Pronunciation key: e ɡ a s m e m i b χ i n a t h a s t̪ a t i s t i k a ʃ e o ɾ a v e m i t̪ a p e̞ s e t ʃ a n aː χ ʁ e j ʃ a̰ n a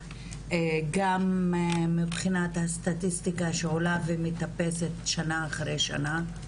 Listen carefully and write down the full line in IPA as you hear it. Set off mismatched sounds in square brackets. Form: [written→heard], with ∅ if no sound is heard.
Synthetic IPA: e ɡ a [s→∅] m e m i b χ i n a t h a s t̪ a t i s t i k a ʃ e o [ɾ→l] a v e m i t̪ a p e̞ s e t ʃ a n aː χ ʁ e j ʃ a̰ n a